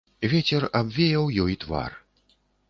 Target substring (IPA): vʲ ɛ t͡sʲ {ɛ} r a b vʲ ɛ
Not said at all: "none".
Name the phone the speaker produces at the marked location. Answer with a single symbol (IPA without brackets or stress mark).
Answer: ɛ